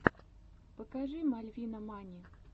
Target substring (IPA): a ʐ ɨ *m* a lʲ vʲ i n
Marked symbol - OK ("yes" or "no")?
yes